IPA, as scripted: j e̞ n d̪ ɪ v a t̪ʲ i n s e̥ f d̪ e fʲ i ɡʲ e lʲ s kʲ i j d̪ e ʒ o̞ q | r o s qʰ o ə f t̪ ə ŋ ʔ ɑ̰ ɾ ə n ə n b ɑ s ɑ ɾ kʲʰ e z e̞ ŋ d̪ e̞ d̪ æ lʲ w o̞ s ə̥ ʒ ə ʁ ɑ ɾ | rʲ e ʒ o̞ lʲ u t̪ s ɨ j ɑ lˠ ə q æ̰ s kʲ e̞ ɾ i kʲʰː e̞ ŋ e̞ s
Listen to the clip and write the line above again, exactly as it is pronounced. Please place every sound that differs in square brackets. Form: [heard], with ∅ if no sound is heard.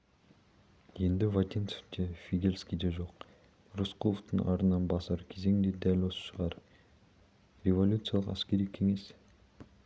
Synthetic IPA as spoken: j e̞ n d̪ ɪ v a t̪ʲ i n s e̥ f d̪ e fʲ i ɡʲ e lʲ s kʲ i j d̪ e ʒ o̞ q | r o s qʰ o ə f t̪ ə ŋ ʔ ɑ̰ ɾ ə n [ɑ] n b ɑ s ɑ ɾ kʲʰ e z e̞ ŋ d̪ e̞ d̪ æ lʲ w o̞ s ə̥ [ʃ] ə ʁ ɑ ɾ | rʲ e [v] o̞ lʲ u t̪ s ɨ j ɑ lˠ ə q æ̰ s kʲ e̞ ɾ i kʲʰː e̞ ŋ e̞ s